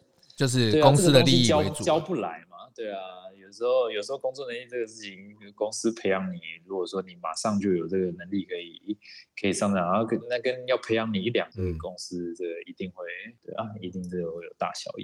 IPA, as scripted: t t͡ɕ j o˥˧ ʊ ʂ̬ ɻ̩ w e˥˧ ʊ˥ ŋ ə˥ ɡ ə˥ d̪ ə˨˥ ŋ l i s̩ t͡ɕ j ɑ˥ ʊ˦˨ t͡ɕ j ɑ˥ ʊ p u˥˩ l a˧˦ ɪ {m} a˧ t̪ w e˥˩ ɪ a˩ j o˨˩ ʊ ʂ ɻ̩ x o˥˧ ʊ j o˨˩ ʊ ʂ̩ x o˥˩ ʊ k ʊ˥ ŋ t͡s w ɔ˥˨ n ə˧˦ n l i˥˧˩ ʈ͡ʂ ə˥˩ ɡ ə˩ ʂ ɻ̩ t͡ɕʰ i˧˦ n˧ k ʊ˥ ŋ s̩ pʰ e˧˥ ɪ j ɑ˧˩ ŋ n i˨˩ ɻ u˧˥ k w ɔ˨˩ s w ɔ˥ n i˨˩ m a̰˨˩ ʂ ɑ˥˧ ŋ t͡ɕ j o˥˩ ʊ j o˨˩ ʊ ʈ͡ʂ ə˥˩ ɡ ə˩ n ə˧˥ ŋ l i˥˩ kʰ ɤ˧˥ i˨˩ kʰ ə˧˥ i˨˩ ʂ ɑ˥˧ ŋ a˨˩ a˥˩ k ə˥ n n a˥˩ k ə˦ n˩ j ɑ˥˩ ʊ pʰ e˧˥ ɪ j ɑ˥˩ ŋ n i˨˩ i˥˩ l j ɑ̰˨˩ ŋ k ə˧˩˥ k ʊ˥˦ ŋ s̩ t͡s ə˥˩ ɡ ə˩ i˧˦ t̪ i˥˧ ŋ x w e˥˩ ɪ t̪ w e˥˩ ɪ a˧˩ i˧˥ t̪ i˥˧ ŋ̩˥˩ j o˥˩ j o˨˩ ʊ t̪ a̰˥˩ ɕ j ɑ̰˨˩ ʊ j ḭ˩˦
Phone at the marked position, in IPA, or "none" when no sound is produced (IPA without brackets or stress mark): m